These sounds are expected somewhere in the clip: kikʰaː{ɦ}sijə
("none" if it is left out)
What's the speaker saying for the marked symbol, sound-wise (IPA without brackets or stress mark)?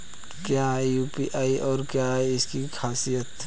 none